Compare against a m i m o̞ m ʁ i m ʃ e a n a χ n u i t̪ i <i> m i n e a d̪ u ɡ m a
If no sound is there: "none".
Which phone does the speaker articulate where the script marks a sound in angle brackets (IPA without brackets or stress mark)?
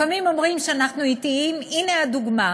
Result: i